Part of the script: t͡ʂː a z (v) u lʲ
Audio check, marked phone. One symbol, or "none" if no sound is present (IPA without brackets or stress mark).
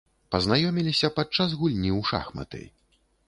ɣ